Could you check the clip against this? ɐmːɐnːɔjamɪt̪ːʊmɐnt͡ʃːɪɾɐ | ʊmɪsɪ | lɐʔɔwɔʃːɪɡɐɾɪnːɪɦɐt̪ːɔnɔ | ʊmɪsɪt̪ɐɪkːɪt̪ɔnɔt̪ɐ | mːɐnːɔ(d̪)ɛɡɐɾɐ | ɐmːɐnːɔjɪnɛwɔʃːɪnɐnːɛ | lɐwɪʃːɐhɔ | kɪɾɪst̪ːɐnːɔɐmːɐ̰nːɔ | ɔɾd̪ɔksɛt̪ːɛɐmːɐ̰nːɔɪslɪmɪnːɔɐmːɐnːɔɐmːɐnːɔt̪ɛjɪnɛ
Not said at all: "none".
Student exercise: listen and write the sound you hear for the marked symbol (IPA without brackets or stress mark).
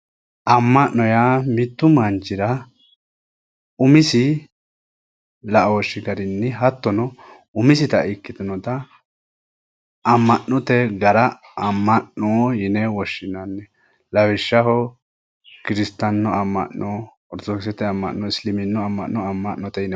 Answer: t̪